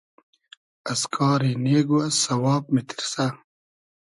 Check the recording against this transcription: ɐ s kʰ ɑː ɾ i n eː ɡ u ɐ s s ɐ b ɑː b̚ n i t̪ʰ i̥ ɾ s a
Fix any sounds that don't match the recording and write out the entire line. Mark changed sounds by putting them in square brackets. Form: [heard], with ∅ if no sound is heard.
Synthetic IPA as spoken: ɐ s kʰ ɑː ɾ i n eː ɡ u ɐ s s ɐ [w] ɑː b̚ [m] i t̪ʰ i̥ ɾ s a